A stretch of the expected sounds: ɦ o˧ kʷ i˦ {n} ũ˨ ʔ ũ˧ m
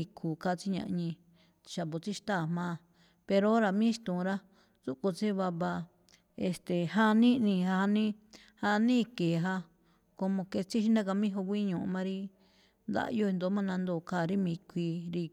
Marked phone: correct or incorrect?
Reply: incorrect